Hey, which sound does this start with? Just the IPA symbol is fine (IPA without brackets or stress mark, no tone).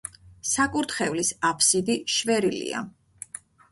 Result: s